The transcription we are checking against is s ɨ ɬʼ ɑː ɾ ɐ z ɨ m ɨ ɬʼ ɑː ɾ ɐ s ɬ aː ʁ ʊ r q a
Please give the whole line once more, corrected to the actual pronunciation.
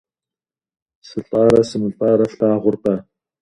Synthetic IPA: s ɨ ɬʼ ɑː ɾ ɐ s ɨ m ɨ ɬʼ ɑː ɾ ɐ f ɬ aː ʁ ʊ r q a